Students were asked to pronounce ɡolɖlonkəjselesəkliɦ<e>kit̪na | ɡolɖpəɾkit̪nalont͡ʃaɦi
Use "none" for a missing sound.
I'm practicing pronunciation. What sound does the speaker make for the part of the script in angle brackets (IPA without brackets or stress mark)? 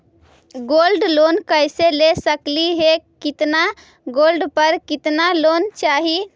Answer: e